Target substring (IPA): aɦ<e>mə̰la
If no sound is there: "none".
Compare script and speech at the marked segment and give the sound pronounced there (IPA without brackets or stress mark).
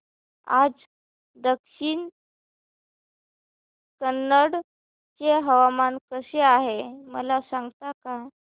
e